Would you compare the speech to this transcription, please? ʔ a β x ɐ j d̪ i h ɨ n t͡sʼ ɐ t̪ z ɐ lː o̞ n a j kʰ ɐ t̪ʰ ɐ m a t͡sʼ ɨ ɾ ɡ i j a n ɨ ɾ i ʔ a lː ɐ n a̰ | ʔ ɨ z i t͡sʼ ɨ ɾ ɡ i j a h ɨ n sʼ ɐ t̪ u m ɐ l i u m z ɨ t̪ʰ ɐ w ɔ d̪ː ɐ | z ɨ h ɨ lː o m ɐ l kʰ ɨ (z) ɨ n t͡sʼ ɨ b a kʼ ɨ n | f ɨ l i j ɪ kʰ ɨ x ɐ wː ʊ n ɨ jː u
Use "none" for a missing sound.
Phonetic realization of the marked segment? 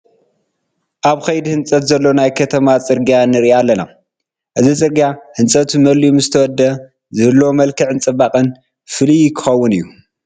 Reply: ʕ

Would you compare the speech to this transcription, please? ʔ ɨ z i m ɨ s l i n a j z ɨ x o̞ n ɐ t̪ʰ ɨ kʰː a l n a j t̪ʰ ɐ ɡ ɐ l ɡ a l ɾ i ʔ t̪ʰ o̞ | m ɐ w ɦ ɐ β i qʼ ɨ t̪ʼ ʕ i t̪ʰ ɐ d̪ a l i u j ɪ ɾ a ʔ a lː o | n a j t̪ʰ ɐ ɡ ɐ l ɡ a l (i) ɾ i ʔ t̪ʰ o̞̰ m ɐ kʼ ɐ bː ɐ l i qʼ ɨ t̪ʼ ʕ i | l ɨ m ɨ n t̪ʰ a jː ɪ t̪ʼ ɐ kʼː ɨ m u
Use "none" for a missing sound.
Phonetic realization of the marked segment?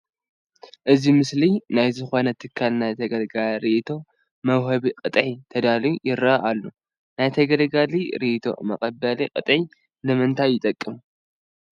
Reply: i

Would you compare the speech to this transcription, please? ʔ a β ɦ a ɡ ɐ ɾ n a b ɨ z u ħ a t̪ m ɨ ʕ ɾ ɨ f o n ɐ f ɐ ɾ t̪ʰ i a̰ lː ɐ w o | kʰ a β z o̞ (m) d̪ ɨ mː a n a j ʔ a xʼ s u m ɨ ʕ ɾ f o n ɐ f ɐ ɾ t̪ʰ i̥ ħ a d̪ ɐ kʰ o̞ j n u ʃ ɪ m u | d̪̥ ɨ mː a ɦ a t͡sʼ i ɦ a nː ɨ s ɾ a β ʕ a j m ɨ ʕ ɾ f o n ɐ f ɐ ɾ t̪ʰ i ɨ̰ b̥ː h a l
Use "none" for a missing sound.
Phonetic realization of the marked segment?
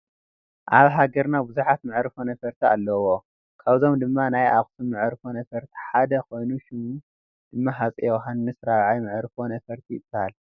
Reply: m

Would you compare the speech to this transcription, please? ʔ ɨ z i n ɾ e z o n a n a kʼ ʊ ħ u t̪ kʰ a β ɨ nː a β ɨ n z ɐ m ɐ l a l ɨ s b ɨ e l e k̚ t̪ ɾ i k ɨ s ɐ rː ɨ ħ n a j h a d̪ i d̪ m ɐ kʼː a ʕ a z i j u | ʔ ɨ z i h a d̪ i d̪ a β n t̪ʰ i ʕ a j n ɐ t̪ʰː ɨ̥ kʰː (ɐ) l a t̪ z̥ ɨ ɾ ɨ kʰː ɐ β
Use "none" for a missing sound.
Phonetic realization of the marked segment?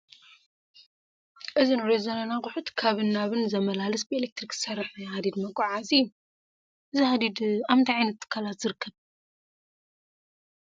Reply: a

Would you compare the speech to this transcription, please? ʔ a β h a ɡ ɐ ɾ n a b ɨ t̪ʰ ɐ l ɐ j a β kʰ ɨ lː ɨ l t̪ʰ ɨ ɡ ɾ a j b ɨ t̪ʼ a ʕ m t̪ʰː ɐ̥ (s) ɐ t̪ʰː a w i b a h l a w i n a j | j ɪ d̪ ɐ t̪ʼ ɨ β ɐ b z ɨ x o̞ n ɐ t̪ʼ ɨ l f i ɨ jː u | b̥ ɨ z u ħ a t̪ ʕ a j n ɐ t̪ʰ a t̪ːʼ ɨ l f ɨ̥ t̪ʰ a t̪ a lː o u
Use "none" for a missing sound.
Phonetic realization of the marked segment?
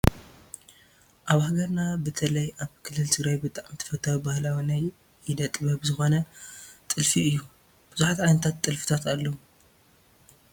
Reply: f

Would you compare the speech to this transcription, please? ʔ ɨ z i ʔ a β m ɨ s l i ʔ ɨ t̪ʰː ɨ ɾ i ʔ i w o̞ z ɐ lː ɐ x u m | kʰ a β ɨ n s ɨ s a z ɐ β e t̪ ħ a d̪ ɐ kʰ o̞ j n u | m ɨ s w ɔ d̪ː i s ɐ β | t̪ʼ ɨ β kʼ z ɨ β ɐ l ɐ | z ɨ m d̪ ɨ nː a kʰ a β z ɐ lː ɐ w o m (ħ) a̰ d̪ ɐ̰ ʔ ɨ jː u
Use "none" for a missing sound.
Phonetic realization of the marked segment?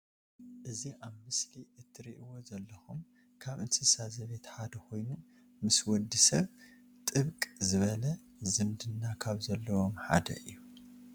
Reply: ħ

